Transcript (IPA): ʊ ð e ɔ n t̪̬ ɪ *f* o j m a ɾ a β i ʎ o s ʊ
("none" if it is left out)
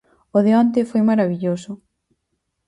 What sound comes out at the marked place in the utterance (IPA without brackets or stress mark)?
f